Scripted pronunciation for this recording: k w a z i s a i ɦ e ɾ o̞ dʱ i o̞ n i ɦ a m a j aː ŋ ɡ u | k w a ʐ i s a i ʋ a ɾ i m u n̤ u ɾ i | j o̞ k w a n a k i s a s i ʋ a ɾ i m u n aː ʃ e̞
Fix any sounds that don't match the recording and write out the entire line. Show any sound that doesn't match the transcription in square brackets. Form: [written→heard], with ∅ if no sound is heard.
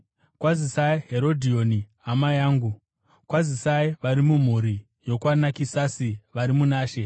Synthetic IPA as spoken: k w a z i s a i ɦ e ɾ o̞ dʱ i o̞ n i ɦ a m a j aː ŋ ɡ u | k w a [ʐ→z] i s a i ʋ a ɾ i m u [n̤→m̤] u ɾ i | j o̞ k w a n a k i s a s i ʋ a ɾ i m u n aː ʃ e̞